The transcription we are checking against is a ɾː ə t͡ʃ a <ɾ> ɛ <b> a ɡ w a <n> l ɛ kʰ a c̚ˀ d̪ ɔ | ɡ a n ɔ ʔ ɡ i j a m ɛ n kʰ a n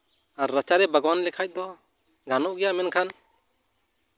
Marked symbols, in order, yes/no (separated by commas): yes, yes, yes